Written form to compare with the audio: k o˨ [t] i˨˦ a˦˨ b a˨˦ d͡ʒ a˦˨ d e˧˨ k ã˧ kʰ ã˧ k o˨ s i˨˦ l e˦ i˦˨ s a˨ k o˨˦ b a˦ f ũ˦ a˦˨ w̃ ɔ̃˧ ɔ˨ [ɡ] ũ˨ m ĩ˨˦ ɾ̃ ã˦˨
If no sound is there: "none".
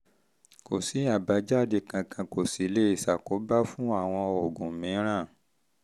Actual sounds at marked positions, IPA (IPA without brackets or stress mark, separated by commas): s, ɡ